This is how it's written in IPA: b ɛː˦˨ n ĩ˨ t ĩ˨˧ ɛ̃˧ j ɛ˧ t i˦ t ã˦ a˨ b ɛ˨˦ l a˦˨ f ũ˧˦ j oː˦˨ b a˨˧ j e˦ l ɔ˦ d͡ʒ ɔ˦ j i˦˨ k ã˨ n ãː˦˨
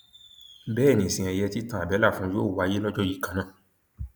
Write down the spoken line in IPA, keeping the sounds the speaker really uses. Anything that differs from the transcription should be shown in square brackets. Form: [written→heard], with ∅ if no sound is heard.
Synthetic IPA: b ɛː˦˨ n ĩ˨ [t→s] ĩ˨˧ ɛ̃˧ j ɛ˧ t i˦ t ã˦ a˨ b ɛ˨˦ l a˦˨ f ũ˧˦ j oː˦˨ [b→w] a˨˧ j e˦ l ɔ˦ d͡ʒ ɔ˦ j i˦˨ k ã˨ n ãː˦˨